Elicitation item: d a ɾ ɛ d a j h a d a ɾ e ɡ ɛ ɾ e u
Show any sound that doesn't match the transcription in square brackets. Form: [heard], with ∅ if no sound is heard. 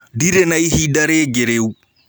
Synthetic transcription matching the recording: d [i] ɾ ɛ [n] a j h [i] d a ɾ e ɡ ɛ ɾ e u